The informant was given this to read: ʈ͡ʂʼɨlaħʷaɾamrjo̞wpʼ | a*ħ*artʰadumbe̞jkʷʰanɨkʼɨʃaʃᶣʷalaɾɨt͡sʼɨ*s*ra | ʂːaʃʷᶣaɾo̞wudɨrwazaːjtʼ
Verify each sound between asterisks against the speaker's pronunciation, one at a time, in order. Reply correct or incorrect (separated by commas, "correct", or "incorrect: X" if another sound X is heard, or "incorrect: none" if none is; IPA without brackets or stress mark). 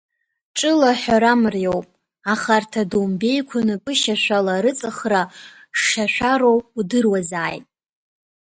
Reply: incorrect: χ, incorrect: χ